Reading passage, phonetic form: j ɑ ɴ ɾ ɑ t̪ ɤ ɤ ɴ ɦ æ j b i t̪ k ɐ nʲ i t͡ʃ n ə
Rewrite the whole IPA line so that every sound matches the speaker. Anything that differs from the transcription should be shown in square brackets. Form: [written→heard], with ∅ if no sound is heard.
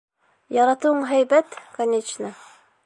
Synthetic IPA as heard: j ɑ [ɴ→∅] ɾ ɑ t̪ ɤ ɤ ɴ ɦ æ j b [i→æ] t̪ k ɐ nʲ [i→e] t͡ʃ n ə